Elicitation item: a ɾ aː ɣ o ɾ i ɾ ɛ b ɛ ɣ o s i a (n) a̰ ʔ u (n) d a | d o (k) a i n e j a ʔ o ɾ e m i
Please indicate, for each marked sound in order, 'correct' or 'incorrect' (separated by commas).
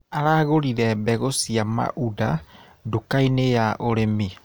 incorrect, incorrect, correct